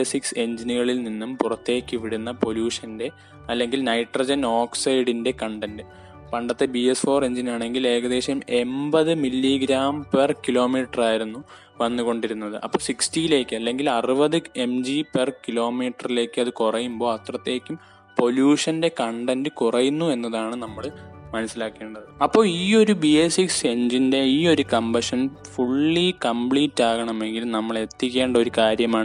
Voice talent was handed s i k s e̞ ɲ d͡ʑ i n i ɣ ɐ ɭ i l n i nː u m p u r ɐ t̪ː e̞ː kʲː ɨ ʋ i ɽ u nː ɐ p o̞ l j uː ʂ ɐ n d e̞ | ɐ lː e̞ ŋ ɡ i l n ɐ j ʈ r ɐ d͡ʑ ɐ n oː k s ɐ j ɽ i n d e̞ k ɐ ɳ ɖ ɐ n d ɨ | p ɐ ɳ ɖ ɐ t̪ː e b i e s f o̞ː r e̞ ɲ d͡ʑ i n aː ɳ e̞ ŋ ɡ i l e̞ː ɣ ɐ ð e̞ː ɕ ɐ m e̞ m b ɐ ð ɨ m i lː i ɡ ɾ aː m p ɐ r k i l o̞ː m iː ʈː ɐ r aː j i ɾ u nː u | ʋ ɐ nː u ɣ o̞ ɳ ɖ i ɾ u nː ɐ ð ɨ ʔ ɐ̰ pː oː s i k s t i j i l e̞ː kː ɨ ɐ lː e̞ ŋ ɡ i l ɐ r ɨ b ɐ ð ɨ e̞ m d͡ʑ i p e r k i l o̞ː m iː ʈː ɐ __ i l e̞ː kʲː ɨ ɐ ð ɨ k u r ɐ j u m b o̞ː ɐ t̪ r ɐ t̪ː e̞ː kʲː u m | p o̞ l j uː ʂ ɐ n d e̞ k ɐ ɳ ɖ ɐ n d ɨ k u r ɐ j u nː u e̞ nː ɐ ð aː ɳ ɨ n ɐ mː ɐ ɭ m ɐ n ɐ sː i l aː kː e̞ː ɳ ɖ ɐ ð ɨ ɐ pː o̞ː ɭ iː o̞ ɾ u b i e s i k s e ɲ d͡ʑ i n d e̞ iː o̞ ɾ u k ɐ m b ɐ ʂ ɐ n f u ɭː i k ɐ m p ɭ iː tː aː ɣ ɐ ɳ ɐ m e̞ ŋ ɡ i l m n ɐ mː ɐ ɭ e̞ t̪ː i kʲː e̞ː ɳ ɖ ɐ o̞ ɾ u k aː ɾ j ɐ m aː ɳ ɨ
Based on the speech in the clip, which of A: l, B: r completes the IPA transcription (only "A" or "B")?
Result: B